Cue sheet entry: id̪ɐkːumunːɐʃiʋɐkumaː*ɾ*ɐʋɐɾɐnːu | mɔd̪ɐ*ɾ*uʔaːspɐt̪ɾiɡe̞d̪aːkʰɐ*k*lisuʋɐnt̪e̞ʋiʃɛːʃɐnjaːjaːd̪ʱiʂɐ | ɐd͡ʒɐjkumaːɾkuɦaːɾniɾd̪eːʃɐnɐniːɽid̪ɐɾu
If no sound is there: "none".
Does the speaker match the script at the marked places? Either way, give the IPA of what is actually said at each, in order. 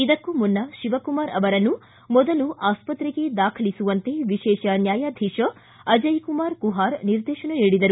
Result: ɾ, l, none

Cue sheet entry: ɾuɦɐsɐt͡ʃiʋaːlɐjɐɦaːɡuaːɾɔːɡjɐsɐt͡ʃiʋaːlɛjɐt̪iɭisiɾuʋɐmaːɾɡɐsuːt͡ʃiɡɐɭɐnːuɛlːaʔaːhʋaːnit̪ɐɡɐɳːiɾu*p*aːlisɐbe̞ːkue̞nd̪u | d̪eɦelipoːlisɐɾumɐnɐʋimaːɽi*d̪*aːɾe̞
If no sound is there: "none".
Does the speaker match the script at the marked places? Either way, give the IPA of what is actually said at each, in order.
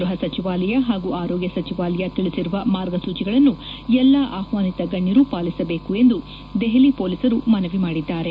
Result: p, d̪ː

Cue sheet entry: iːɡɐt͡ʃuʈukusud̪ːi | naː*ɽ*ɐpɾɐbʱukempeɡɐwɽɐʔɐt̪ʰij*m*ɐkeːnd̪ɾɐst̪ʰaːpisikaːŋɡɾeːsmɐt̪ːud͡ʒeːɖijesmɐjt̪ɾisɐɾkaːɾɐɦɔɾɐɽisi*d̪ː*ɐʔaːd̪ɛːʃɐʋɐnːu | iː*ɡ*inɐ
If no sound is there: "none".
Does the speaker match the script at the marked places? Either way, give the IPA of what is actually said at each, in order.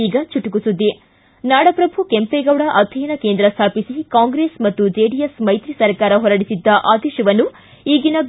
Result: ɽ, n, d̪ː, ɡ

